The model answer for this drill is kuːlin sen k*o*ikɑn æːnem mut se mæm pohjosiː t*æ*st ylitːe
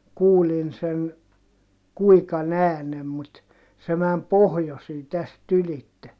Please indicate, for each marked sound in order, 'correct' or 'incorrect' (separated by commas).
incorrect, correct